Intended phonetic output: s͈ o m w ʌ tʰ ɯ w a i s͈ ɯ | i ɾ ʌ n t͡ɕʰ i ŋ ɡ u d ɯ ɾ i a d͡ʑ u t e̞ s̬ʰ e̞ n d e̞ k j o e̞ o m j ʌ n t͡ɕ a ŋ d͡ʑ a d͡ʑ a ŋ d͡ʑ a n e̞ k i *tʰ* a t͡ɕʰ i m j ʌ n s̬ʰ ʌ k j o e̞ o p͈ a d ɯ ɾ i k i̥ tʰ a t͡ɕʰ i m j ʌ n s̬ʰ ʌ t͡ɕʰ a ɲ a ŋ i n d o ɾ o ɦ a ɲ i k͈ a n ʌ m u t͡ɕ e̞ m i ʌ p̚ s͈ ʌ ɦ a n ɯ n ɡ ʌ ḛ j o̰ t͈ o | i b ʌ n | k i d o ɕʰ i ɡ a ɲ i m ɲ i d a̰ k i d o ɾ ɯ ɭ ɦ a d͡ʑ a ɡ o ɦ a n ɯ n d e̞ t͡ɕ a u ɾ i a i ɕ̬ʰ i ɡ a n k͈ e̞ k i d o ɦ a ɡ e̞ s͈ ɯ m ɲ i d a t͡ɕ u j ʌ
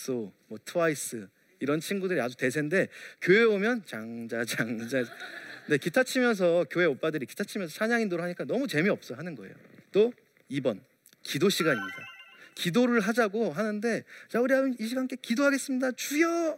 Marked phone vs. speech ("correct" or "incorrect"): correct